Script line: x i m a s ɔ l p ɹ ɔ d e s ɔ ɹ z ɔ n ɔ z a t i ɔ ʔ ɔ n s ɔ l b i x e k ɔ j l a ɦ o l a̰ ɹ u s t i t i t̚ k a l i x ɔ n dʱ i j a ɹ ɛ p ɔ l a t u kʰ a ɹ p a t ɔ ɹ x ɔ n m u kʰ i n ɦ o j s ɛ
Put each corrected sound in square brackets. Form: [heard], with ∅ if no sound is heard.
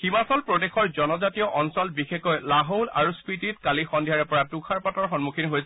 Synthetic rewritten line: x i m a s ɔ l p ɹ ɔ d e [x] ɔ ɹ z ɔ n ɔ z a t i ɔ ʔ ɔ n s ɔ l b i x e k ɔ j l a ɦ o l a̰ ɹ u s [p] i t i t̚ k a l i x ɔ n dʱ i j a ɹ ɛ p ɔ [ɹ] a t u kʰ a ɹ p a t ɔ ɹ x ɔ n m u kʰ i n ɦ o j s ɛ

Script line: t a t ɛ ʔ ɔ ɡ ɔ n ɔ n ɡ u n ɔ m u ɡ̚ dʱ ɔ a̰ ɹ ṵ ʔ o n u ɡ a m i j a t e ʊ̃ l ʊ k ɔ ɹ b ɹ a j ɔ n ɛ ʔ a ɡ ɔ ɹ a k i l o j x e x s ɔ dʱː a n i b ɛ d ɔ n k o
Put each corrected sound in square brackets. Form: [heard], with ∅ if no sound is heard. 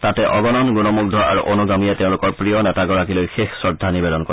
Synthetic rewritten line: t a t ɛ ʔ ɔ ɡ ɔ n ɔ n ɡ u n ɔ m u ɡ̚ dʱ ɔ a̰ ɹ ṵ ʔ o n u ɡ a m i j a t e ʊ̃ l ʊ k ɔ ɹ [p] ɹ [i] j ɔ n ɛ [t] a ɡ ɔ ɹ a k i l o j x e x s ɔ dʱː a n i b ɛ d ɔ n k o

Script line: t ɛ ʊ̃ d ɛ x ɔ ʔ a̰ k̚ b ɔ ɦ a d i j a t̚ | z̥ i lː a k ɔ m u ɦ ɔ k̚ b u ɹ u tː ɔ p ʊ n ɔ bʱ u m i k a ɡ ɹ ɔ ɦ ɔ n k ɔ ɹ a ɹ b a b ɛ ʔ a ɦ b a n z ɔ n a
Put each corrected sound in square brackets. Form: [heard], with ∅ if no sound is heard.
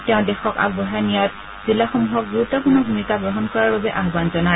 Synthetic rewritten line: t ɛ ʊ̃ d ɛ x ɔ [k] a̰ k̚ b ɔ ɦ a [n] i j a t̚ | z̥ i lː a [x] ɔ m u ɦ ɔ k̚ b u ɹ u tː ɔ p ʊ n ɔ bʱ u m i k a ɡ ɹ ɔ ɦ ɔ n k ɔ ɹ a ɹ b a b ɛ ʔ a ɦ b a n z ɔ n a

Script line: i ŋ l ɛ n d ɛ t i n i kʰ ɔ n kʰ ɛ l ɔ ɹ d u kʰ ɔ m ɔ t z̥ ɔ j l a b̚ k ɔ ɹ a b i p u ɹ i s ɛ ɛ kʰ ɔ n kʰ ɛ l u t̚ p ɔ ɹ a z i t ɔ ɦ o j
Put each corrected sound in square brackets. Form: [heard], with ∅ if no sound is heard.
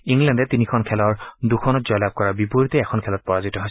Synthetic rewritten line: i ŋ l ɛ n d ɛ t i n i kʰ ɔ n kʰ ɛ l ɔ ɹ d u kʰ ɔ [n] ɔ t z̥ ɔ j l a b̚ k ɔ ɹ a b i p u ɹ i [t] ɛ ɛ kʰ ɔ n kʰ ɛ l [ɔ] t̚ p ɔ ɹ a z i t ɔ ɦ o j

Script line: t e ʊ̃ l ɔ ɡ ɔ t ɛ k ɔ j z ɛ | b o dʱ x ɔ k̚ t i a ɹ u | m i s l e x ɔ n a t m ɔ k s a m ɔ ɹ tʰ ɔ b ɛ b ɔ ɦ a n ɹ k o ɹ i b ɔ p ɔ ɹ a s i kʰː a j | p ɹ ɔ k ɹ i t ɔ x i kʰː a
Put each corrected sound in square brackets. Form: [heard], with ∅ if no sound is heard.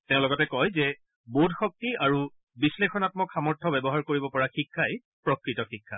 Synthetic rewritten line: t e ʊ̃ l ɔ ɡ ɔ t ɛ k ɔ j z ɛ | b o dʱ x ɔ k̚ t i a ɹ u | [b] i s l e x ɔ n a t m ɔ k [x] a m ɔ ɹ tʰ ɔ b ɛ b ɔ ɦ a [∅] ɹ k o ɹ i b ɔ p ɔ ɹ a [x] i kʰː a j | p ɹ ɔ k ɹ i t ɔ x i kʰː a

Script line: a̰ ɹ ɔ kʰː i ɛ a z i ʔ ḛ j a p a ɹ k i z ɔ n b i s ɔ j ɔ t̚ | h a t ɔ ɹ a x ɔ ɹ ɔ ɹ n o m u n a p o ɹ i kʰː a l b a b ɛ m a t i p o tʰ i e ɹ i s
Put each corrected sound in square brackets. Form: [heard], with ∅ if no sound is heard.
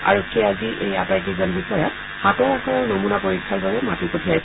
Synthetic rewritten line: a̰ ɹ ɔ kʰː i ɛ a z i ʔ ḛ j a p a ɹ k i z ɔ n b i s ɔ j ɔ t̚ | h a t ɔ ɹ a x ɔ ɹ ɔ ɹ n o m u n a p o ɹ i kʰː a l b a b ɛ m a t i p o tʰ i [a] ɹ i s

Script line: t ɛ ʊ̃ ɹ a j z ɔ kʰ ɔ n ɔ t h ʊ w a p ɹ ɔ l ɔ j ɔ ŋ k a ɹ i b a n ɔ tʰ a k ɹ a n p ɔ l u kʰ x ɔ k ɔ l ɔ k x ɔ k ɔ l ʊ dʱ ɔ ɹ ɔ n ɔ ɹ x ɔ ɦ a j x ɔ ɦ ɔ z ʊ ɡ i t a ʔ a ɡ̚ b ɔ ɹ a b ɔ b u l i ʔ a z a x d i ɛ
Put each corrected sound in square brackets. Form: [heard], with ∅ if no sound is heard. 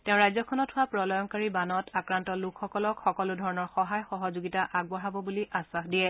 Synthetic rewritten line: t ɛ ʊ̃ ɹ a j z ɔ kʰ ɔ n ɔ t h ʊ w a p ɹ ɔ l ɔ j ɔ ŋ k a ɹ i b a n ɔ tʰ a k ɹ a n [t] ɔ l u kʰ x ɔ k ɔ l ɔ k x ɔ k ɔ l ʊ dʱ ɔ ɹ ɔ n ɔ ɹ x ɔ ɦ a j x ɔ ɦ ɔ z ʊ ɡ i t a ʔ a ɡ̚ b ɔ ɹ a b ɔ b u l i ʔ a [s] a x d i ɛ

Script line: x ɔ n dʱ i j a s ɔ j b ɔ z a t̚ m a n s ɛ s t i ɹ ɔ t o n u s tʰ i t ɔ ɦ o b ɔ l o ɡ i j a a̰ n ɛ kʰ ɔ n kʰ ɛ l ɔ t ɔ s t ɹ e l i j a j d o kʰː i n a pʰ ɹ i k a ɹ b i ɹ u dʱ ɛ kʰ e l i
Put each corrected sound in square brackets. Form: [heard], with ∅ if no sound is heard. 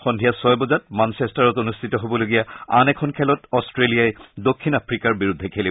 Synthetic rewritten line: x ɔ n dʱ i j a s ɔ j b ɔ z a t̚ m a n s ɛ s t [a] ɹ ɔ t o n u s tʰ i t ɔ ɦ o b ɔ l o ɡ i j a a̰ n ɛ kʰ ɔ n kʰ ɛ l ɔ t ɔ s t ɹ e l i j a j d o kʰː i n a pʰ ɹ i k a ɹ b i ɹ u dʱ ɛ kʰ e l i

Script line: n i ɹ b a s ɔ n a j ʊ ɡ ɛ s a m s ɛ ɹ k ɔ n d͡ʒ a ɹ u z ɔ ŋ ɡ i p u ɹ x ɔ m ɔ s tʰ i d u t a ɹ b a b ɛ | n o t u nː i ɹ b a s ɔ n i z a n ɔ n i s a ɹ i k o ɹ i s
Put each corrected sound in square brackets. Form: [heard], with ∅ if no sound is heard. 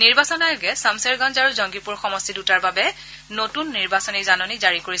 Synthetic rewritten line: n i ɹ b a s ɔ n a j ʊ ɡ ɛ s a m s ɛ ɹ [ɡ] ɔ n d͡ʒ a ɹ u z ɔ ŋ ɡ i p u ɹ x ɔ m ɔ s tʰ i d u t a ɹ b a b ɛ | n o t u nː i ɹ b a s ɔ n i z a n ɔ n i [z] a ɹ i k o ɹ i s

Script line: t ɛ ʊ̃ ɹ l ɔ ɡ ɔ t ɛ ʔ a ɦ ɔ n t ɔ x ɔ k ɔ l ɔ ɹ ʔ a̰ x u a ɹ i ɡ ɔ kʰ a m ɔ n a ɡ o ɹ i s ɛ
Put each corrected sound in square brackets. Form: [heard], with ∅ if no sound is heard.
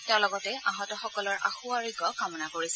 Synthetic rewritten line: t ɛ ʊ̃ [∅] l ɔ ɡ ɔ t ɛ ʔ a ɦ ɔ [∅] t ɔ x ɔ k ɔ l ɔ ɹ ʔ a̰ x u a ɹ i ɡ ɔ [k] a m ɔ n a [k] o ɹ i s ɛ

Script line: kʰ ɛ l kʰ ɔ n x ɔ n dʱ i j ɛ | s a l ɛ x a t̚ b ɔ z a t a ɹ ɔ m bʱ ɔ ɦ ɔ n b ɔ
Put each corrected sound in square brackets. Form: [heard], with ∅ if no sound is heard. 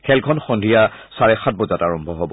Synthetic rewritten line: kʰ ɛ l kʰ ɔ n x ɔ n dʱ i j [a] | s a [ɹ] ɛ x a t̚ b ɔ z a t a ɹ ɔ m bʱ ɔ ɦ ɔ [∅] b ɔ

